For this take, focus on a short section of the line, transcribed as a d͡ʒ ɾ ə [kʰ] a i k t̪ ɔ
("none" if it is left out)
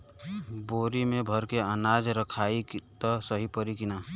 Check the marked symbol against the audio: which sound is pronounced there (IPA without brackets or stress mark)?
kʰ